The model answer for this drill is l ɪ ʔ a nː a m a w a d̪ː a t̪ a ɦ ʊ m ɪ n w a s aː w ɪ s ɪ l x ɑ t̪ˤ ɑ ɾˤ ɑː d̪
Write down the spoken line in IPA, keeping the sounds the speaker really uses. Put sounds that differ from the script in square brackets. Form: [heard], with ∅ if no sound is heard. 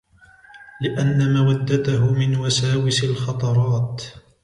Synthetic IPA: l ɪ ʔ a nː a m a w a d̪ː a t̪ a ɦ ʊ m ɪ n w a s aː w ɪ s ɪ l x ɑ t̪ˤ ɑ ɾˤ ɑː [t̪]

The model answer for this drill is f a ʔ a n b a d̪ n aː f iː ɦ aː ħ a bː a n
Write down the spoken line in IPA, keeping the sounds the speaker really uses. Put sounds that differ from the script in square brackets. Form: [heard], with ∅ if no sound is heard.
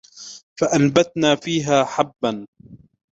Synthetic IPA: f a ʔ a n b a [t̪] n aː f iː ɦ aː ħ a bː a n

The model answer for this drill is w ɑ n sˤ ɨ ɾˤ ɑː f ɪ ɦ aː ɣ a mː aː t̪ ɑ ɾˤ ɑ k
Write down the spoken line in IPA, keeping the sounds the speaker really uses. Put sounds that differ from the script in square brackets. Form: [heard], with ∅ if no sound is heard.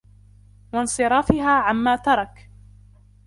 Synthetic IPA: w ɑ n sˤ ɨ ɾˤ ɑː f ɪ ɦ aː [ʕ] a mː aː t̪ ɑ ɾˤ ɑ k

